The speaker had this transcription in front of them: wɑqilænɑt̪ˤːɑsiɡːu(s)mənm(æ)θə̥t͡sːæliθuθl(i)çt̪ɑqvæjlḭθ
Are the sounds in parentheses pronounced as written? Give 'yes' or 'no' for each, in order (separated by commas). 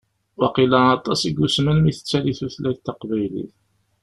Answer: yes, no, no